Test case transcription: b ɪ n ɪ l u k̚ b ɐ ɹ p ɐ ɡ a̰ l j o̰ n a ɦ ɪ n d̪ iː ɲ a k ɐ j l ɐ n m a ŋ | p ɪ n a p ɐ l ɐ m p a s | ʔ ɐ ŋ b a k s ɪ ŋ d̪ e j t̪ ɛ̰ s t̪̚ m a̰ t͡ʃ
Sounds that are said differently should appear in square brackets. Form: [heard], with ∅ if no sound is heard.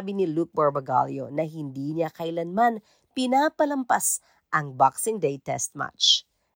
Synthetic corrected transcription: b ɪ n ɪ l u k̚ b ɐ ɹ [b] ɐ ɡ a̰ l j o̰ n [ɐ] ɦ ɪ n d̪ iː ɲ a k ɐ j l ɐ n m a [n] | p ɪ n a p ɐ l ɐ m p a s | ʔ ɐ ŋ b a k s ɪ ŋ d̪ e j t̪ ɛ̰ s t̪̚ m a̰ t͡ʃ